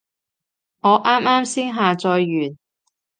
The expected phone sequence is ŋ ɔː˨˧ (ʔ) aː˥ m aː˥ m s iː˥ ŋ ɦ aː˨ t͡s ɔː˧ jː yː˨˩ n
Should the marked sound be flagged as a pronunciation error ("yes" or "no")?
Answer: no